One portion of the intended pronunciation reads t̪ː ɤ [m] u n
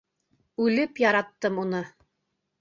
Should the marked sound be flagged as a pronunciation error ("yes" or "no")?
no